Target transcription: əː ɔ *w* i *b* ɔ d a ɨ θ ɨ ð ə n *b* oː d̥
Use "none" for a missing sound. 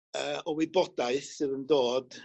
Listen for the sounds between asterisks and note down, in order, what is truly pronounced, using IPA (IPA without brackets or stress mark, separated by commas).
w, b, d